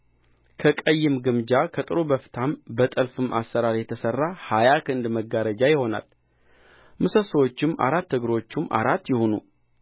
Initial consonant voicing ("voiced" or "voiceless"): voiceless